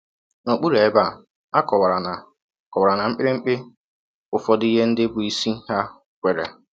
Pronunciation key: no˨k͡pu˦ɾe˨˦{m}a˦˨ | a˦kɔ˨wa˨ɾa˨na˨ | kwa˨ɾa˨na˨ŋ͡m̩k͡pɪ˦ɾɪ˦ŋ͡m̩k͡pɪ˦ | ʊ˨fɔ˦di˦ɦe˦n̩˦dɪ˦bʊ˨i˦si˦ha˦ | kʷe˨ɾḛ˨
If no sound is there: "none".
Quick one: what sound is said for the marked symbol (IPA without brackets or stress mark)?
b